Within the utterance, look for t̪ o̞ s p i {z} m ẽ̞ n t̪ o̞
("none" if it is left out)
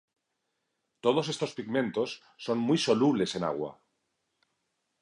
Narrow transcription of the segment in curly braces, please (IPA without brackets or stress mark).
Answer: ɣ